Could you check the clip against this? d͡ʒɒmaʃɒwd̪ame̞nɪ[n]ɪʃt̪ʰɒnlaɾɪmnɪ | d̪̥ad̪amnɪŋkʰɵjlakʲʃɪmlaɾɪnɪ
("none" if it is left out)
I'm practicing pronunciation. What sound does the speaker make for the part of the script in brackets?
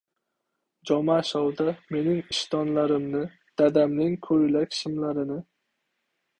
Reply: ŋ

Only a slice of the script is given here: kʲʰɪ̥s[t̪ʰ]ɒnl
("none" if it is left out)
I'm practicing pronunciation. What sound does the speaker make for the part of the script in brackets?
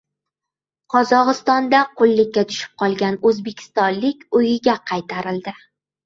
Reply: t̪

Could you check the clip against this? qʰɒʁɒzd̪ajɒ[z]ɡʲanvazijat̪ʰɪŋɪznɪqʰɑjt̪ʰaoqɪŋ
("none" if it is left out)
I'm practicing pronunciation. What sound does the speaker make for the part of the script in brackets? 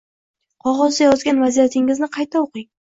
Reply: z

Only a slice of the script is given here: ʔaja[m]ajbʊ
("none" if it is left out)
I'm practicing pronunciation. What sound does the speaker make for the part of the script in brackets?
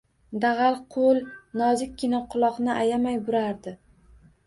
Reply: m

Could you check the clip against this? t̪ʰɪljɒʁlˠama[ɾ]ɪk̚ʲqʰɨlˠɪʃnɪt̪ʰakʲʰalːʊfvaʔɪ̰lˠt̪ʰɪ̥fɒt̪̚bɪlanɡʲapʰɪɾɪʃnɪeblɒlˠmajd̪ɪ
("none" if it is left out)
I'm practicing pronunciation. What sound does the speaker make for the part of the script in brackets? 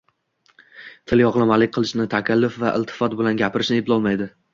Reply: l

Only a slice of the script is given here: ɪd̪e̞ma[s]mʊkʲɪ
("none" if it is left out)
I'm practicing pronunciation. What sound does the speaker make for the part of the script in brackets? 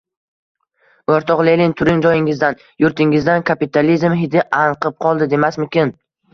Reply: s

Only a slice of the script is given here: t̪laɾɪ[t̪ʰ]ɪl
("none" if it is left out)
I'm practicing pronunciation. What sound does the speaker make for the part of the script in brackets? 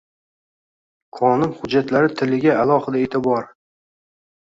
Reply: t̪ʰ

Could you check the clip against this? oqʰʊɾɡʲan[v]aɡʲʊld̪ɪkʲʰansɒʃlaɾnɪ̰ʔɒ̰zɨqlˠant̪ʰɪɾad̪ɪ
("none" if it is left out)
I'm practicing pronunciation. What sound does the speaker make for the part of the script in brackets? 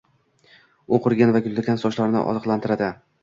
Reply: v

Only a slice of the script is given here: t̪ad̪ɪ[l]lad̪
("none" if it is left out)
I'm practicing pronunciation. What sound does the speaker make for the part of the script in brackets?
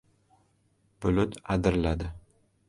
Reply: ɾ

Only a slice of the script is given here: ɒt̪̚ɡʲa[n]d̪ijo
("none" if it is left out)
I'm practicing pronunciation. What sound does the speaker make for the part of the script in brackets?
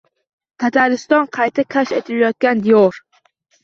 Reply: n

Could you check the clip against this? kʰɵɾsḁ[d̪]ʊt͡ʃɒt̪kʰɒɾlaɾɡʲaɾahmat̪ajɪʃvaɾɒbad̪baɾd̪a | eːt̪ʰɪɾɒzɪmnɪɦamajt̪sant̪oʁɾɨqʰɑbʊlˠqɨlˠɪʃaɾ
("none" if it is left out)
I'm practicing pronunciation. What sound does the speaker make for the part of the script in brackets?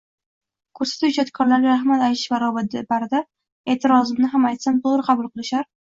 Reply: t̪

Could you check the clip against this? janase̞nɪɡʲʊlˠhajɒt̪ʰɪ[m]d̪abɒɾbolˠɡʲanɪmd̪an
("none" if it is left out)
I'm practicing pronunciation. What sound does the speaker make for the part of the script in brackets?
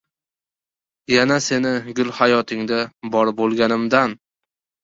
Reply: ŋ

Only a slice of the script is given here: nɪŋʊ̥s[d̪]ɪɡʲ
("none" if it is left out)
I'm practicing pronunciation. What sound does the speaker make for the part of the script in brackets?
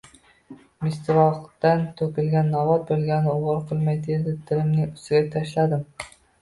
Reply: t̪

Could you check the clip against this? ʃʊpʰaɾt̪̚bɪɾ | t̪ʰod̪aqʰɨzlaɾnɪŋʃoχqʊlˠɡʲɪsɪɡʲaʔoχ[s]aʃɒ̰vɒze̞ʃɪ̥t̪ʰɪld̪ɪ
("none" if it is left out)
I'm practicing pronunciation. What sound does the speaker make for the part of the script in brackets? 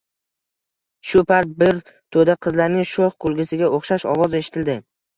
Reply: ʃ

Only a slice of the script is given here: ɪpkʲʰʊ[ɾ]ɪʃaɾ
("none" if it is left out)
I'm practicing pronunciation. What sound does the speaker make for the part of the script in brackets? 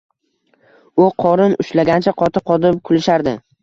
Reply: l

